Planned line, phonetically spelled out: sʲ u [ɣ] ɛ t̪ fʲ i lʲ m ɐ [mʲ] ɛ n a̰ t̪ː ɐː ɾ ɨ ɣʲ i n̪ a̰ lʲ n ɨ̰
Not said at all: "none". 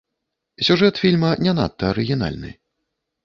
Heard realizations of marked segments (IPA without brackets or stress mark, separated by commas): ʐ, nʲ